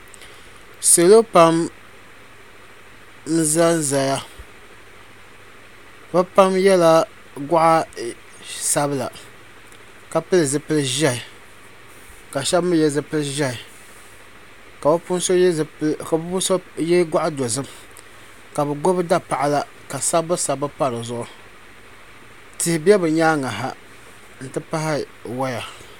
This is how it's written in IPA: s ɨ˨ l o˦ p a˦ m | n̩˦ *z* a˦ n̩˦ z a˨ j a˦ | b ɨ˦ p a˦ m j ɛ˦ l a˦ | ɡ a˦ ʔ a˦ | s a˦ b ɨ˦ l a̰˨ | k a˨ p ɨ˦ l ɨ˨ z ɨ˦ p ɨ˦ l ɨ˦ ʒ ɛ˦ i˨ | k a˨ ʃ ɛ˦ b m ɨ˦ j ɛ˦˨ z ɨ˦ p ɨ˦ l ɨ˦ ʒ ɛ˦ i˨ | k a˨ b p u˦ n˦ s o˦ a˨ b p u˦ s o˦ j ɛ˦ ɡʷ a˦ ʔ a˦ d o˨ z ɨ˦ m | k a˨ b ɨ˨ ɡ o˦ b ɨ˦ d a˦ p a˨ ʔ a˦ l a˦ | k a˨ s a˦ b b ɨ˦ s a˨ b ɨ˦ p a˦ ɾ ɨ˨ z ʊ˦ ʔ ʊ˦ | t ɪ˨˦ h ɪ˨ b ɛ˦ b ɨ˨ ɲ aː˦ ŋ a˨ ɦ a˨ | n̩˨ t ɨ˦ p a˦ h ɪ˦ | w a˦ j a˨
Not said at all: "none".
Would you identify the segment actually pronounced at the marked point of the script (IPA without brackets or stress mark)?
z